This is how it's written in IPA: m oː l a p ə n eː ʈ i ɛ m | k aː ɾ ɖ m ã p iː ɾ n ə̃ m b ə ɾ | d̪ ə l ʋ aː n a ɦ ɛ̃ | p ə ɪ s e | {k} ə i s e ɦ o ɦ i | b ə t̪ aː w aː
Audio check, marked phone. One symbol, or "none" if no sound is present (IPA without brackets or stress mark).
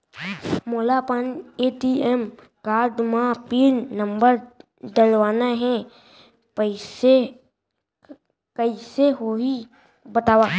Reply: k